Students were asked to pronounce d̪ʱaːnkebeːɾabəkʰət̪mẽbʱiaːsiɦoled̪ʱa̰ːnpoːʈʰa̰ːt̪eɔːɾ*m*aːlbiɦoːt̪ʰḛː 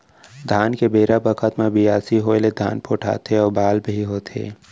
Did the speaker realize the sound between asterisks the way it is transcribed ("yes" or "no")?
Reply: no